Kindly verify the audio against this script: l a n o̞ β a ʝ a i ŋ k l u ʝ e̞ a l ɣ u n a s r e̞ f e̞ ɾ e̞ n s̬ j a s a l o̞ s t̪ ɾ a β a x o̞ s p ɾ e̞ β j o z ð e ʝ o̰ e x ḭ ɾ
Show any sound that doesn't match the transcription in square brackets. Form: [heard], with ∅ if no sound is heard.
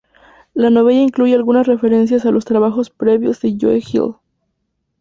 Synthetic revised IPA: l a n o̞ β [e] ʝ a i ŋ k l u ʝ e̞ a l ɣ u n a s r e̞ f e̞ ɾ e̞ n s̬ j a s a l o̞ s t̪ ɾ a β a x o̞ s p ɾ e̞ β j o z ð e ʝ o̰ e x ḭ [l]